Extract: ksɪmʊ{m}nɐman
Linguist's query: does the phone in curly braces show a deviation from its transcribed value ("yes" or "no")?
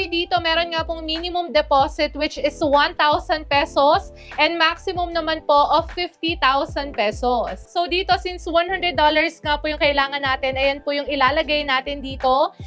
no